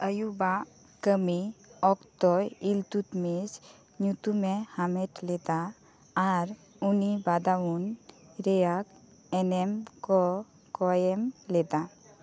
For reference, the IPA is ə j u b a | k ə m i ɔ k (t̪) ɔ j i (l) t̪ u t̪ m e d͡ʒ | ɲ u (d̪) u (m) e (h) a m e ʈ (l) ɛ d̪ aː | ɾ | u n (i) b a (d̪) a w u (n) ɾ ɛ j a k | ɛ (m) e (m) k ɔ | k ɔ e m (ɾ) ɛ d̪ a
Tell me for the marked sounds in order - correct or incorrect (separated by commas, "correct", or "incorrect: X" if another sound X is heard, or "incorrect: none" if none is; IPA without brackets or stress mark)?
correct, correct, incorrect: t̪, correct, correct, correct, correct, correct, correct, incorrect: n, correct, incorrect: l